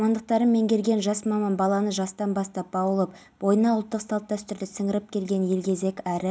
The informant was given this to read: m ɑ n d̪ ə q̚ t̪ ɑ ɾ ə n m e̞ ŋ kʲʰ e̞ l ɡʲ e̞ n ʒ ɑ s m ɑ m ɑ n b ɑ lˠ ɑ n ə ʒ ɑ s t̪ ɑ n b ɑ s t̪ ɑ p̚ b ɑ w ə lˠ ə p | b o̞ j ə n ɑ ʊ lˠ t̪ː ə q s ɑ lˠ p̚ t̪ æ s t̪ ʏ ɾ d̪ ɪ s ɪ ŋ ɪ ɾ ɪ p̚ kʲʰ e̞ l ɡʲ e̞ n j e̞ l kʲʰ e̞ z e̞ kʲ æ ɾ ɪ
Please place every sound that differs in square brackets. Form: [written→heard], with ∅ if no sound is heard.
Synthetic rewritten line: m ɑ n d̪ ə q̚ t̪ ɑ ɾ ə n m e̞ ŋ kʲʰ e̞ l ɡʲ e̞ n ʒ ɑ s m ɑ m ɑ n b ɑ lˠ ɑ n ə ʒ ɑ s t̪ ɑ n b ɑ s t̪ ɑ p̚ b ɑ w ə lˠ ə p | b o̞ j ə n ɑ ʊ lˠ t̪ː ə q s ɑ lˠ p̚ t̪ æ s t̪ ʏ ɾ d̪ ɪ s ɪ ŋ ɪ ɾ ɪ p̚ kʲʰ e̞ l ɡʲ e̞ n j e̞ l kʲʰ e̞ z e̞ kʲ æ ɾ ɪ